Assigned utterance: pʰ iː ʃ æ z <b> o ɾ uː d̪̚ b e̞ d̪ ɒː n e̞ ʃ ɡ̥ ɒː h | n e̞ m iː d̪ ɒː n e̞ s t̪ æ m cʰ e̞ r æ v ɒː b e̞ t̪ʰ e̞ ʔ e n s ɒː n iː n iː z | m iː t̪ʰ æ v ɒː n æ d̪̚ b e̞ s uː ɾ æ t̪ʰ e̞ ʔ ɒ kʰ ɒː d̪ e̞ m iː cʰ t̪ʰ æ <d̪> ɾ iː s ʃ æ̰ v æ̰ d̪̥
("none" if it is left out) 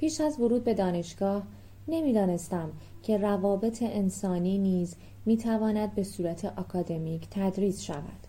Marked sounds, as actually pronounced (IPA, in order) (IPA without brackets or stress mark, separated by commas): v, d̪